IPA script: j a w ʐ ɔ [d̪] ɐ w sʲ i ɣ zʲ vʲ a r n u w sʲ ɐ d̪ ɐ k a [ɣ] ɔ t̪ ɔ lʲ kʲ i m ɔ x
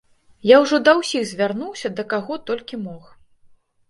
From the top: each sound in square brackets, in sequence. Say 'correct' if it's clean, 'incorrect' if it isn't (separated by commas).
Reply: correct, correct